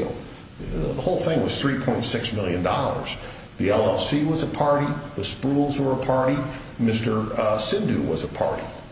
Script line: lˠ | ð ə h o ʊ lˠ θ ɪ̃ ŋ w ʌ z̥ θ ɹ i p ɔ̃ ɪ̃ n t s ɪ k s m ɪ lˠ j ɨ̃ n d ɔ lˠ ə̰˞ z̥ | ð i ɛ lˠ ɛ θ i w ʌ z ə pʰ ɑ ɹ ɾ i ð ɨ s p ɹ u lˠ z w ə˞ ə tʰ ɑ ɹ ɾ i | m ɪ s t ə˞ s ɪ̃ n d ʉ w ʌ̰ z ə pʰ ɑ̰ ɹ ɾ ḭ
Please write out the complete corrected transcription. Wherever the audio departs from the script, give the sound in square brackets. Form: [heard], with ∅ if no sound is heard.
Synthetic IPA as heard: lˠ | ð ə h o ʊ lˠ θ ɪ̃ ŋ w ʌ z̥ θ ɹ i [pʰ] ɔ̃ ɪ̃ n t s ɪ k s m ɪ lˠ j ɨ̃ n d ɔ lˠ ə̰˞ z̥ | ð i ɛ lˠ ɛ [s] i w ʌ z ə pʰ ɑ ɹ ɾ i ð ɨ s p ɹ u lˠ z w ə˞ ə [pʰ] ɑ ɹ ɾ i | m ɪ s t ə˞ s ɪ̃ n d ʉ w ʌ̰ z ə pʰ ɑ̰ ɹ ɾ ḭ